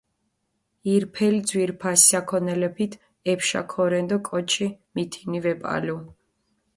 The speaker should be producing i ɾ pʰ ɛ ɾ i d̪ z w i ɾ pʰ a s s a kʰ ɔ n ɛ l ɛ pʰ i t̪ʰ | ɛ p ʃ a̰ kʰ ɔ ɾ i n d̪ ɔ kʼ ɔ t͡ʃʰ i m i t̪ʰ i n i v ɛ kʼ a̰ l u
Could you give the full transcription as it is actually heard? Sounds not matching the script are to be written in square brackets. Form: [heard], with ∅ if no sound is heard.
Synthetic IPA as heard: i ɾ pʰ ɛ [l] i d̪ z w i ɾ pʰ a s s a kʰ ɔ n ɛ l ɛ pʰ i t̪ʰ | ɛ p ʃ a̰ kʰ ɔ ɾ [ɛ] n d̪ ɔ kʼ ɔ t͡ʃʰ i m i t̪ʰ i n i v ɛ [pʼ] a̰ l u